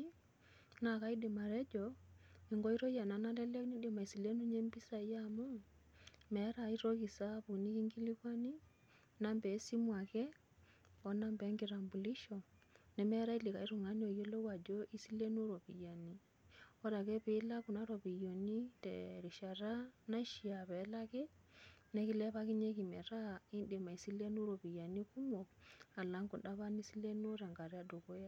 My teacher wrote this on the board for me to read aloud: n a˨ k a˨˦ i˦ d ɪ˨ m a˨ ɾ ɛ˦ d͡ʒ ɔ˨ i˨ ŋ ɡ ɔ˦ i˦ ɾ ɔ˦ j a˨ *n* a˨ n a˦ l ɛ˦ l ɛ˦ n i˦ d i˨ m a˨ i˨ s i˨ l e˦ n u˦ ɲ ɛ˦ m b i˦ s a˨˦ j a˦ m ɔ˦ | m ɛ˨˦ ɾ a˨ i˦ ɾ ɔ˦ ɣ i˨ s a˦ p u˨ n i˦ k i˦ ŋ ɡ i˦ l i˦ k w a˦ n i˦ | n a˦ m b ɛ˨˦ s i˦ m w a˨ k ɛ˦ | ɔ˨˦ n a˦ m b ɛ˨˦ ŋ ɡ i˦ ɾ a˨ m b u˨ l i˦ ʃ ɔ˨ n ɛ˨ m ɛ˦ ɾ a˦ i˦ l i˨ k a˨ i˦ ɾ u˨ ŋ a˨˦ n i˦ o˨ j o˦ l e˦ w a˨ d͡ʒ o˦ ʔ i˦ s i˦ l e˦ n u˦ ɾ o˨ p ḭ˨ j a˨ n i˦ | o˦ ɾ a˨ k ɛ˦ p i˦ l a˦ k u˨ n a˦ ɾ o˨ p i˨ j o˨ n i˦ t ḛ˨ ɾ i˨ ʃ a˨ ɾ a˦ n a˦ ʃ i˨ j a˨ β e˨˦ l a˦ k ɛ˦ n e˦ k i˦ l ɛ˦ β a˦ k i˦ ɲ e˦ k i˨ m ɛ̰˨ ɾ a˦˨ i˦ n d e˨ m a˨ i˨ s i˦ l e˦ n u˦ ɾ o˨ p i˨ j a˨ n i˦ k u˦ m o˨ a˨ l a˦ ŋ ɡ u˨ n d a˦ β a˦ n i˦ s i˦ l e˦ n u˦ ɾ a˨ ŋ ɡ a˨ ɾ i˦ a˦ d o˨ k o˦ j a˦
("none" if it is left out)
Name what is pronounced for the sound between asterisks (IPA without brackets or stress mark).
n